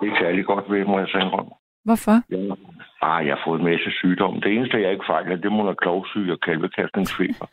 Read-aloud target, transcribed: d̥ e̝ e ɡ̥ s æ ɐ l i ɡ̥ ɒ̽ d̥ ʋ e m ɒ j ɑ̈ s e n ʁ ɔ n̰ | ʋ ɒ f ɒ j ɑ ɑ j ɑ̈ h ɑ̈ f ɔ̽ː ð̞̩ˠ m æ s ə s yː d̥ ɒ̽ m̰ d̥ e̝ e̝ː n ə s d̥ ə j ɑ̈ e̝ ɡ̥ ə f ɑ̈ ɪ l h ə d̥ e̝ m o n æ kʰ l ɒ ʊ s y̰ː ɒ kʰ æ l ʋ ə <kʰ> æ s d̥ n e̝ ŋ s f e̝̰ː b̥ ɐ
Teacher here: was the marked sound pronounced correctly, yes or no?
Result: yes